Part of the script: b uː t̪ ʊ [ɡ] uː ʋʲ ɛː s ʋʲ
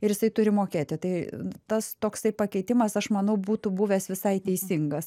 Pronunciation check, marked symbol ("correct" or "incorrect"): incorrect